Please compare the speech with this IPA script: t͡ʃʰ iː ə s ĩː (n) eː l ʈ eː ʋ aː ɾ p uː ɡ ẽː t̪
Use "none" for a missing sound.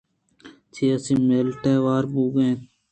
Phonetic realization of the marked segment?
m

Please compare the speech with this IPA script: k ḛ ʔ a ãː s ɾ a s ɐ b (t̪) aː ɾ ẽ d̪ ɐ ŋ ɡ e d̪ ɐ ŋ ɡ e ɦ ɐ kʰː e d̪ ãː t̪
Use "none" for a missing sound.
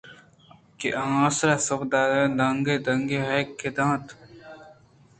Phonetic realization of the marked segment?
d̪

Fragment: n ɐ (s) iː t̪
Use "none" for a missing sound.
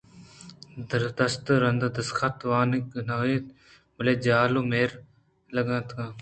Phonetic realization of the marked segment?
none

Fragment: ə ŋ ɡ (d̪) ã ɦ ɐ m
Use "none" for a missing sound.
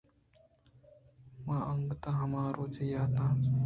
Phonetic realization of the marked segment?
t̪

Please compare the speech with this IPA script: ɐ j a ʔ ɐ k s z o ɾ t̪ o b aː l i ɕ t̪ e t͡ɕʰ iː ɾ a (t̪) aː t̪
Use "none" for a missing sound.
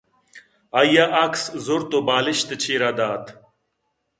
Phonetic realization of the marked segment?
d̪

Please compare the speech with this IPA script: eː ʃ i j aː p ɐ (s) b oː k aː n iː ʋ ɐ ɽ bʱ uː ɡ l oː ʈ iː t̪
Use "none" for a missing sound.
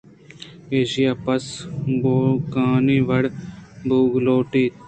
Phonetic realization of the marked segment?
s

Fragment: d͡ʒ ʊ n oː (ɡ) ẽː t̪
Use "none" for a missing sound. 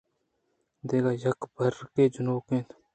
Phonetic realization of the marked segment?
k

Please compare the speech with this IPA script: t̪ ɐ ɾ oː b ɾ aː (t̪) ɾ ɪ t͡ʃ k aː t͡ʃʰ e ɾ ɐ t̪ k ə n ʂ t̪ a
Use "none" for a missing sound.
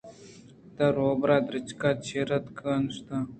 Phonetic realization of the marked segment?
d̪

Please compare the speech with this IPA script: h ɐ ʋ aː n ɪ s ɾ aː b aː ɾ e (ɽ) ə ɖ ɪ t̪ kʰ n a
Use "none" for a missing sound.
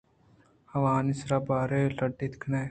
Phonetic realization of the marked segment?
l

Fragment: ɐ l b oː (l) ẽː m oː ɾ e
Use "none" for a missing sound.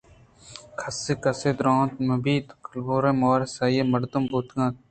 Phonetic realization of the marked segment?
ɾ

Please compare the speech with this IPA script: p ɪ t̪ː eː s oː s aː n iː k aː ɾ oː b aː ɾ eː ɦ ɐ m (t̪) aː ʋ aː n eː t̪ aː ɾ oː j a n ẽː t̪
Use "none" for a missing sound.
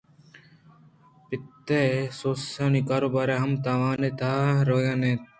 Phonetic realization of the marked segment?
t̪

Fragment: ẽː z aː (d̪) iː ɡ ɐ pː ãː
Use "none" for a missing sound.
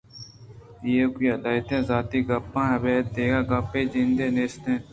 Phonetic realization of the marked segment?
t̪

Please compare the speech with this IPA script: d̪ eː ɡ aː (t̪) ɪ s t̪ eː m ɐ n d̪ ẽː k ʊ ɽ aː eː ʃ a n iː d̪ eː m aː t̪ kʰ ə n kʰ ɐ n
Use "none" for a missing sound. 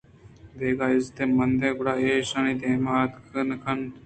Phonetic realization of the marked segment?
none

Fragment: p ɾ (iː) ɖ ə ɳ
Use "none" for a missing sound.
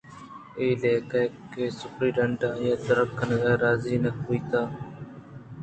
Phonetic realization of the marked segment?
iː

